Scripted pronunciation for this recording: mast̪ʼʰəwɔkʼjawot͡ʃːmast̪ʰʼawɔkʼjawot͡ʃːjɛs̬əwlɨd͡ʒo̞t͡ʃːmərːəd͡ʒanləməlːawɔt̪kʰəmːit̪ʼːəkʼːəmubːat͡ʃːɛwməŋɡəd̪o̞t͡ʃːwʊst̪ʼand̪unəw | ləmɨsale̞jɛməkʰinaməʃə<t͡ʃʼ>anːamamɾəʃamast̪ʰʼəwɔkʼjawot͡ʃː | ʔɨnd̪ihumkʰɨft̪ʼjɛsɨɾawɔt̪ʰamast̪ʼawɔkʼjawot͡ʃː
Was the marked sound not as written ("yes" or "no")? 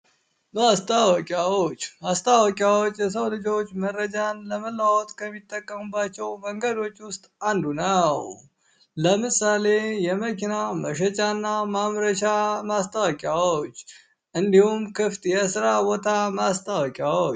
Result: no